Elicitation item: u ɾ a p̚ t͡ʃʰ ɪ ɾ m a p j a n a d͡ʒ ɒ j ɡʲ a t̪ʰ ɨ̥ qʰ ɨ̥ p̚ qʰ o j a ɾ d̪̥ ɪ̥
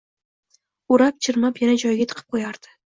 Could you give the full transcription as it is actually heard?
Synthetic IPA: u ɾ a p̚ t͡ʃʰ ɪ ɾ m a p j a n a d͡ʒ ɒ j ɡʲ a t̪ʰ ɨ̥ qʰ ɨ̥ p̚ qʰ o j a ɾ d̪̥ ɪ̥